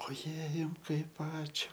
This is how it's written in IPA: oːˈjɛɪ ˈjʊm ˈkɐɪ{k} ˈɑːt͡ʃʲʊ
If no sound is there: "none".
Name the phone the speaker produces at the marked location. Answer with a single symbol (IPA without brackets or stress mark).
p